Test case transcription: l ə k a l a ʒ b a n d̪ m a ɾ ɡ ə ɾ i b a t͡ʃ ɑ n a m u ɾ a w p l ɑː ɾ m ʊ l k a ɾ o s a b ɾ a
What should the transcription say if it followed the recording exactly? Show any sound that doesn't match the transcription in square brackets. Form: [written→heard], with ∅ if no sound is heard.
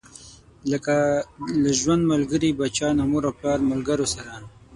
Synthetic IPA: l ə k a l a ʒ [b→w] a n d̪ m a [ɾ→l] ɡ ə ɾ i b a t͡ʃ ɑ n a m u ɾ a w p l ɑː ɾ m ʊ l [k→ɡ] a ɾ o s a [b→∅] ɾ a